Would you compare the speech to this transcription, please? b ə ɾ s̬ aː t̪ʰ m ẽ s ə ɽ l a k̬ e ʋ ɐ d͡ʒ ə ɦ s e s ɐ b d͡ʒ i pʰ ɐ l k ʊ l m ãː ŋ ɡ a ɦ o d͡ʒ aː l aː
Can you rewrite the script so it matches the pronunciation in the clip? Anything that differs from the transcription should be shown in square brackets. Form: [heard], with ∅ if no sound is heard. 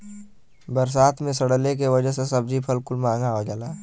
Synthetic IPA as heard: b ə ɾ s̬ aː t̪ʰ m ẽ s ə ɽ l [e] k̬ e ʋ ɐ d͡ʒ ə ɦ s e s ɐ b d͡ʒ i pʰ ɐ l k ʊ l m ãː ŋ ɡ a ɦ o d͡ʒ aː l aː